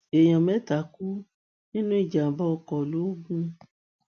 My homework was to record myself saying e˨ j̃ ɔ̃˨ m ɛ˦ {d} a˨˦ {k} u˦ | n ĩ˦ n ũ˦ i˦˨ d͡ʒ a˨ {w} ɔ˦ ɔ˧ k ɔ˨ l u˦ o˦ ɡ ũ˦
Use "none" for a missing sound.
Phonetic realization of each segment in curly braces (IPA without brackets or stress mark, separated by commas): t, k, b